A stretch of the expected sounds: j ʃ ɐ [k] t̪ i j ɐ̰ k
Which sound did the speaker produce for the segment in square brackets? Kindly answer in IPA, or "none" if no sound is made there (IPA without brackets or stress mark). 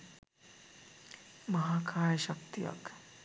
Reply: k